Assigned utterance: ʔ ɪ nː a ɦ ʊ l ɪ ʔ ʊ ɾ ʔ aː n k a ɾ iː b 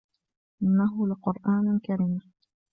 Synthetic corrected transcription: ʔ ɪ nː a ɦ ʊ l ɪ q ʊ ɾ ʔ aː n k a ɾ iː m